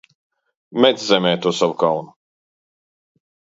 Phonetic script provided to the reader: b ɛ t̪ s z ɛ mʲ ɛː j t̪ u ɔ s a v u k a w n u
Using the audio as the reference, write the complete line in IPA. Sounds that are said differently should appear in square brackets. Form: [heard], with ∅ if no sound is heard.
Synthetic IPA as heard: [m] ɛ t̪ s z ɛ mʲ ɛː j t̪ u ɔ s a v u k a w n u